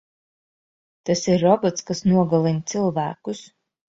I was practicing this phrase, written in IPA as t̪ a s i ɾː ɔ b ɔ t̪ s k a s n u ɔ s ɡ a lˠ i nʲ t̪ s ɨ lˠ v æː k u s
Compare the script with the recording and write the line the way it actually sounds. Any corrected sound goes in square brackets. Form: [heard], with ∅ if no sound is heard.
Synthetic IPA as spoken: t̪ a s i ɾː ɔ b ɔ t̪ s k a s n u ɔ [∅] ɡ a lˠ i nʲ t̪ s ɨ lˠ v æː k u s

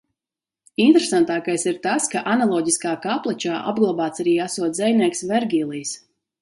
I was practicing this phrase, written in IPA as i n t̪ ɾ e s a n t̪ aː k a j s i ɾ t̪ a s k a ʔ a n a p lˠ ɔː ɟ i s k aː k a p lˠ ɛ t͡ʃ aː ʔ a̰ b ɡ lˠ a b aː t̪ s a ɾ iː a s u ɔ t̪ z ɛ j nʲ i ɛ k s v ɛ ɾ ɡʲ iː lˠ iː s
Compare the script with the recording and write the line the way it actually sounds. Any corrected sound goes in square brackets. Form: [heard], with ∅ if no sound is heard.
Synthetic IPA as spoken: i n t̪ ɾ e s a n t̪ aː k a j s i ɾ t̪ a s k a ʔ a n a [∅] lˠ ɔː ɟ i s k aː k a p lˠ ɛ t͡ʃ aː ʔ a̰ b ɡ lˠ a b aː t̪ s a ɾ iː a s u ɔ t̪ z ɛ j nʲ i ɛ k s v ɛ ɾ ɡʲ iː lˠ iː s

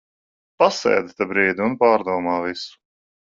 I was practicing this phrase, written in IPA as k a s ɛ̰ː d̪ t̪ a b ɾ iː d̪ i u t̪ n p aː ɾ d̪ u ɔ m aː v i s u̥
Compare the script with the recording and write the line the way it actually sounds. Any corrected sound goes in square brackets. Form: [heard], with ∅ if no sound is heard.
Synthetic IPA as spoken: [p] a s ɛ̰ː d̪ t̪ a b ɾ iː d̪ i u [∅] n p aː ɾ d̪ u ɔ m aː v i s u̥

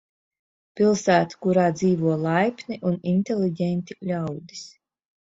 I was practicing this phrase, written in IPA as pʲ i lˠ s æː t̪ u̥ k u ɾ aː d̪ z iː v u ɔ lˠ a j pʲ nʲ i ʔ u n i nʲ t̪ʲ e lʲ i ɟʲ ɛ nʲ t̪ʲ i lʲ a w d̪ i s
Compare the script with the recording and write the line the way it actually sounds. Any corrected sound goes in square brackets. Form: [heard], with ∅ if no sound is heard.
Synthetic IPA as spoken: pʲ i lˠ s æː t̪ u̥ k u ɾ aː d̪ z iː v u ɔ lˠ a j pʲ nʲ i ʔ u n i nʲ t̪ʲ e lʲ i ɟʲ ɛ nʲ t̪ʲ i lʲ a w d̪ i s

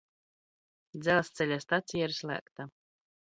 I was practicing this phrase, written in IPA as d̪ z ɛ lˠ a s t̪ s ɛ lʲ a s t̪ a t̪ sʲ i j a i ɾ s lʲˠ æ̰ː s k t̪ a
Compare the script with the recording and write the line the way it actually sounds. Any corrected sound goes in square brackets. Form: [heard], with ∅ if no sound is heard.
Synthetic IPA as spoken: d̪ z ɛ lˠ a s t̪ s ɛ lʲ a s t̪ a t̪ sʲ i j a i ɾ s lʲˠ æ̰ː [∅] k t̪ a

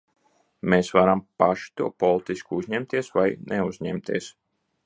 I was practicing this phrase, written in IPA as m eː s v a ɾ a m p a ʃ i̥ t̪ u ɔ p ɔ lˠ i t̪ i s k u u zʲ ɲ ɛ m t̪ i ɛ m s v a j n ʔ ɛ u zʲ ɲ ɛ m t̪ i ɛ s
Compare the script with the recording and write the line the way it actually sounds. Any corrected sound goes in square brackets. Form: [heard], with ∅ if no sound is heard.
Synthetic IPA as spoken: m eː s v a ɾ a m p a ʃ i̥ t̪ u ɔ p ɔ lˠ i t̪ i s k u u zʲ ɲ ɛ m t̪ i ɛ [∅] s v a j n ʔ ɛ u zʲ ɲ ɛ m t̪ i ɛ s

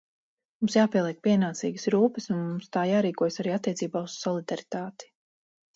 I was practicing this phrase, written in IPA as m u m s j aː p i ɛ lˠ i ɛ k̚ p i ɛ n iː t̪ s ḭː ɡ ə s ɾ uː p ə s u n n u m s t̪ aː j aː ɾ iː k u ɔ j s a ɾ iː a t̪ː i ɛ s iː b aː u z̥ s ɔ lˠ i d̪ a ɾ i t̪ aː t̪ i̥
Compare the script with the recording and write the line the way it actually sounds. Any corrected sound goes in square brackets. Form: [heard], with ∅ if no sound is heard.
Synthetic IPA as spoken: m u m s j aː p i ɛ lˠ i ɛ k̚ p i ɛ n [aː] t̪ s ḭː ɡ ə s ɾ uː p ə s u n [m] u m s t̪ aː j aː ɾ iː k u ɔ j s a ɾ iː a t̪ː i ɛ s iː b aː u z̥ s ɔ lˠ i d̪ a ɾ i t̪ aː t̪ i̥

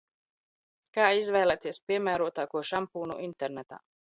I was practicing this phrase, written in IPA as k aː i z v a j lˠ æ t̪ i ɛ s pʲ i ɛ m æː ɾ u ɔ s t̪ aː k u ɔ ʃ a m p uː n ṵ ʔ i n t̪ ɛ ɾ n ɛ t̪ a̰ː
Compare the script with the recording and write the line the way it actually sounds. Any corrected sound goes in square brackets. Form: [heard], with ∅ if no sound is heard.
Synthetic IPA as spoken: k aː i z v [ɛ] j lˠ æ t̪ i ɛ s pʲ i ɛ m æː ɾ u ɔ [∅] t̪ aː k u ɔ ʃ a m p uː n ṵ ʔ i n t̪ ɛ ɾ n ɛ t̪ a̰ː

